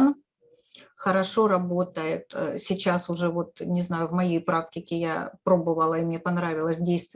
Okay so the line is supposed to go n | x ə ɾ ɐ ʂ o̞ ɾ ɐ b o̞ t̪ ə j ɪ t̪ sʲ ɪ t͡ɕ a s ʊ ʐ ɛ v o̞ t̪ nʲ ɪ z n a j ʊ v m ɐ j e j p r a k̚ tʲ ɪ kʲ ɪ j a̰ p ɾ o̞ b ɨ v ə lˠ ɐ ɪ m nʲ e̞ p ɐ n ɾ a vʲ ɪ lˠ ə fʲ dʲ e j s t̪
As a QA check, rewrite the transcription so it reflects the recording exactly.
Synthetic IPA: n | x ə ɾ ɐ ʂ o̞ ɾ ɐ b o̞ t̪ ə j ɪ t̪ sʲ ɪ t͡ɕ a s ʊ ʐ ɛ v o̞ t̪ nʲ ɪ z n a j ʊ v m ɐ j e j p ɾ a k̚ tʲ ɪ kʲ ɪ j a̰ p ɾ o̞ b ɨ v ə lˠ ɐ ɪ m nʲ e̞ p ɐ n ɾ a vʲ ɪ lˠ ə sʲ dʲ e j s t̪